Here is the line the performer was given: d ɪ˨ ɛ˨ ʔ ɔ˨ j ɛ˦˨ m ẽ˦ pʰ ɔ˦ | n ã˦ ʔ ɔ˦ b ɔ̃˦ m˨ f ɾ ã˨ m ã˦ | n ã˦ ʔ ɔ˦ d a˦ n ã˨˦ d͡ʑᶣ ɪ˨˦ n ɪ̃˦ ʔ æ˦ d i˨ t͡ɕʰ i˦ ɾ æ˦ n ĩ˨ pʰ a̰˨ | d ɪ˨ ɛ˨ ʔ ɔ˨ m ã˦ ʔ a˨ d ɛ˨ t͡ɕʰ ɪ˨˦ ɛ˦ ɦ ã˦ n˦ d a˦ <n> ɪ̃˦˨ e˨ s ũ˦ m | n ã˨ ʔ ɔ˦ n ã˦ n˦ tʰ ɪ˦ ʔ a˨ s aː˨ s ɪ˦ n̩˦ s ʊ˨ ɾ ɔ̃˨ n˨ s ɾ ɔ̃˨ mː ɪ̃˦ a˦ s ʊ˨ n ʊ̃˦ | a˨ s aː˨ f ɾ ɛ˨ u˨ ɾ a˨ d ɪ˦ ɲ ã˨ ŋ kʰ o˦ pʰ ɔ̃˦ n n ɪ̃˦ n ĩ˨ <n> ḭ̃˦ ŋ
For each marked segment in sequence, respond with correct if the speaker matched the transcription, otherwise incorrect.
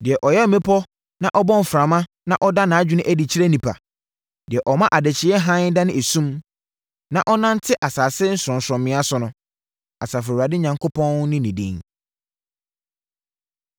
correct, incorrect: d

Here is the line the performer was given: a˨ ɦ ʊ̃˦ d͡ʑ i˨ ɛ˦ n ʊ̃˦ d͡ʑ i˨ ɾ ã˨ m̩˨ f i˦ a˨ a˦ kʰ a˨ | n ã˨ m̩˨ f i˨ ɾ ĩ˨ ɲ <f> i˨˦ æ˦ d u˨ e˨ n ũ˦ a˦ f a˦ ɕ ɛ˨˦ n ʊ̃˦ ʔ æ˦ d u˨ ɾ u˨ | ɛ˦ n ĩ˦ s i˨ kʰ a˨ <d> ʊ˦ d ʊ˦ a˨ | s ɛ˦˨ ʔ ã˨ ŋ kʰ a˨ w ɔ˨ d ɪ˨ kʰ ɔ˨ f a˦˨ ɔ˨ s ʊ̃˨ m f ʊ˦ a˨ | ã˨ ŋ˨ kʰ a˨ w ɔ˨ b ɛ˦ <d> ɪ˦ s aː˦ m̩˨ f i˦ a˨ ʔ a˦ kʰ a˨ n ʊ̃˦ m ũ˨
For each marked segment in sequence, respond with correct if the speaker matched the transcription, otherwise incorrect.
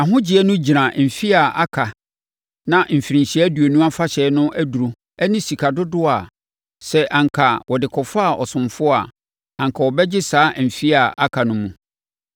incorrect: ɕ, correct, incorrect: d͡ʑ

